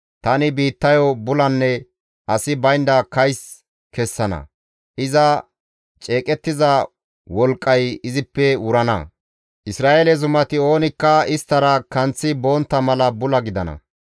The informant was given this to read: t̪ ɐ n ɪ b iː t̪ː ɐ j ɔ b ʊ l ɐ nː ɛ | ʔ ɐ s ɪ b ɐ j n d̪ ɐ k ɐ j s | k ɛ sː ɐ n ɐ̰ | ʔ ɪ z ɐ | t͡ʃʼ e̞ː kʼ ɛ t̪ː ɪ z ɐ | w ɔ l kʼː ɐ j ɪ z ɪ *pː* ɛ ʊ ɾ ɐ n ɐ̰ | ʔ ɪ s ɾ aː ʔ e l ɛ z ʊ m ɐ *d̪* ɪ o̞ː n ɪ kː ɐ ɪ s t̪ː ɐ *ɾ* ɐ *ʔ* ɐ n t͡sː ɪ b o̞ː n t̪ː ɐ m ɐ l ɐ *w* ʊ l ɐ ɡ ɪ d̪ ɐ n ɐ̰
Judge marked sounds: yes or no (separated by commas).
yes, no, yes, no, no